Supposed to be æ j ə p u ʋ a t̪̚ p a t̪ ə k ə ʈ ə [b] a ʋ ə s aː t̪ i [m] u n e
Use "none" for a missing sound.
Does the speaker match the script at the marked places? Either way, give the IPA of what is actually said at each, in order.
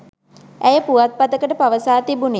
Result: p, b

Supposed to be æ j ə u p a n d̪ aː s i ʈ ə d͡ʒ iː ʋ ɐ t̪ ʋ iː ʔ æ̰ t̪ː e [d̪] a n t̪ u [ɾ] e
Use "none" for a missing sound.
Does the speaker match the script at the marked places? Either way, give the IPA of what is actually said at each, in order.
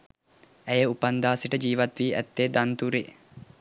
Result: d̪, ɾ

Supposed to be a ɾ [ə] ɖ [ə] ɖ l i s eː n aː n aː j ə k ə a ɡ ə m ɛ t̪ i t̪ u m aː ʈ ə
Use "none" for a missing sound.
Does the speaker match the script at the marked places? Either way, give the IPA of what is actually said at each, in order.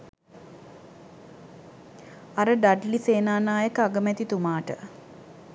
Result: ə, a

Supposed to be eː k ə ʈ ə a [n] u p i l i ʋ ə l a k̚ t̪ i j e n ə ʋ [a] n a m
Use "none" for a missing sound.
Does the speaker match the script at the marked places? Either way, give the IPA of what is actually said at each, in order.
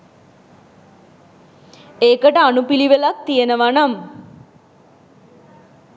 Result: n, a

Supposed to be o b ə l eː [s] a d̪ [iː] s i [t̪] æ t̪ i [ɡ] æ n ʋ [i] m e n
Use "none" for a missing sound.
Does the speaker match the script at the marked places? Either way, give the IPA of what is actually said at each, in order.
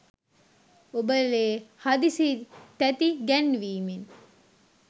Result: h, i, t̪, ɡ, iː

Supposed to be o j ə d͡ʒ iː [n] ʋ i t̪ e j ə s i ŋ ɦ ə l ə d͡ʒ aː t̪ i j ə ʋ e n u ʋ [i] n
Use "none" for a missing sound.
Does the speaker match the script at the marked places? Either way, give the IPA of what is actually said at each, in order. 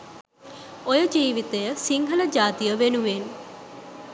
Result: none, e

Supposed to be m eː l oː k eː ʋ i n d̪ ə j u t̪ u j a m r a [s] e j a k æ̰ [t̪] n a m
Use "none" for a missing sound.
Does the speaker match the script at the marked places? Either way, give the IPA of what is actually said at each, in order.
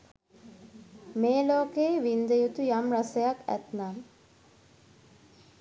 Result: s, t̪

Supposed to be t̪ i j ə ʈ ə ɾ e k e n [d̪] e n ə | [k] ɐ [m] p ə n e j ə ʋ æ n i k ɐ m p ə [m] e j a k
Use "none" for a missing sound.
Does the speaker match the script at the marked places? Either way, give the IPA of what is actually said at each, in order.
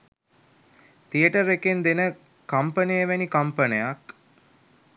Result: d̪, k, m, n

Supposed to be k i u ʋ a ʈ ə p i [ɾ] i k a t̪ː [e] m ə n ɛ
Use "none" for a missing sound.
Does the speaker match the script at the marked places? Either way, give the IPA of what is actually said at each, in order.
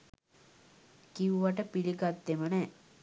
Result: l, e

